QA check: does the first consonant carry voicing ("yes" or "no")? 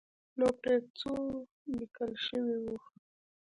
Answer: yes